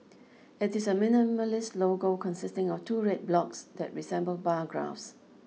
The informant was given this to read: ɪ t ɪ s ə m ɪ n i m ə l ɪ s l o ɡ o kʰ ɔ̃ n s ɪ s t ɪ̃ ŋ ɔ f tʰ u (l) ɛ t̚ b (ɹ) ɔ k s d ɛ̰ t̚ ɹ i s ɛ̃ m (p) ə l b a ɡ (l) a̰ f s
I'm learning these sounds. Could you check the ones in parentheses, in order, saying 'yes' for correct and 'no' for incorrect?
no, no, no, no

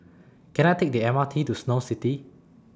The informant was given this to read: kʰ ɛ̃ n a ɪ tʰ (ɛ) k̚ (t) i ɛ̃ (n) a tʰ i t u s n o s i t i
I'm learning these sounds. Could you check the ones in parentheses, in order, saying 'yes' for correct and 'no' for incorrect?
no, no, no

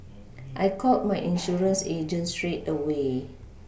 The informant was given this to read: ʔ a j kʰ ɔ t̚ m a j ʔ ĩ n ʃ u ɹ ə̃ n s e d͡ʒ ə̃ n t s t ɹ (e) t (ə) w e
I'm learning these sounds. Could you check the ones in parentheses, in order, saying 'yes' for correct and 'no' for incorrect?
yes, yes

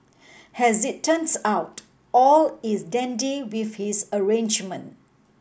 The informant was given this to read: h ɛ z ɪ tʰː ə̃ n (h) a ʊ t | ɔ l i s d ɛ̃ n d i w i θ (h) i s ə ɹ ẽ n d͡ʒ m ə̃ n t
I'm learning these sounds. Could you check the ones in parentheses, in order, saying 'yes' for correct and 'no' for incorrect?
no, yes

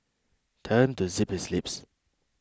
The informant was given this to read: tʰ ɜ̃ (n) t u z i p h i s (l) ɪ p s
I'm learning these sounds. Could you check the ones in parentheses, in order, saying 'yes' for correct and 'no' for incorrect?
yes, yes

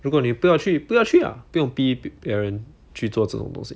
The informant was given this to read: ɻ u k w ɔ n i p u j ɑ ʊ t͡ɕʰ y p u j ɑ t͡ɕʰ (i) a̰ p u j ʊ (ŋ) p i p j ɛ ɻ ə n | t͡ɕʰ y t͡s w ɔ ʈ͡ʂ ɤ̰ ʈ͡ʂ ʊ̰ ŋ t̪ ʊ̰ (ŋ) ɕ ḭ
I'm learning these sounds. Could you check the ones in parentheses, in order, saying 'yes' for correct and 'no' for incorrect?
no, yes, yes

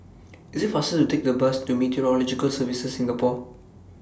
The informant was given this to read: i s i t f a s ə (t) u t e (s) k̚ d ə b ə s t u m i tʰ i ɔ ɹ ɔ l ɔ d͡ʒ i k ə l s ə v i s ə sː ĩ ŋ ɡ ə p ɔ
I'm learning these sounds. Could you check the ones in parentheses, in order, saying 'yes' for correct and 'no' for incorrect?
yes, no

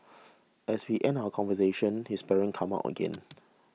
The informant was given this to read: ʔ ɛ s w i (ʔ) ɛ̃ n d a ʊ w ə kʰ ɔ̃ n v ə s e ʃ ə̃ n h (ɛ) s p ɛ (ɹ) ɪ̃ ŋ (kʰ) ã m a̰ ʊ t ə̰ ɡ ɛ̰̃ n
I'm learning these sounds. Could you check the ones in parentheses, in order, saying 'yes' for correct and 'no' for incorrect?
yes, no, yes, yes

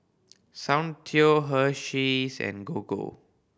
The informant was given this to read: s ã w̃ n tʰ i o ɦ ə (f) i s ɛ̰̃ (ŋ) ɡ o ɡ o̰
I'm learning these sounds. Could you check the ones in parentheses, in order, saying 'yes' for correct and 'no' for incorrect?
no, no

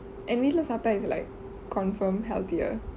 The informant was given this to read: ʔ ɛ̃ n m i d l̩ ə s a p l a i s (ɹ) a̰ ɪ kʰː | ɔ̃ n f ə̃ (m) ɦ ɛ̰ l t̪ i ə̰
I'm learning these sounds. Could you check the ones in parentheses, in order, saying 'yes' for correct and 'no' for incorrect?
no, yes

